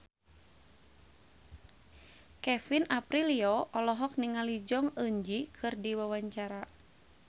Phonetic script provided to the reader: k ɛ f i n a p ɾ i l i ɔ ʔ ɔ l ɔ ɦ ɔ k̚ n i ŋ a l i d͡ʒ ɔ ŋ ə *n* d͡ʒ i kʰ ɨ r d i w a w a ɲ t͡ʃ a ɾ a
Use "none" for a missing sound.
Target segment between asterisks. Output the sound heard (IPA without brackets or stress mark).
ɲ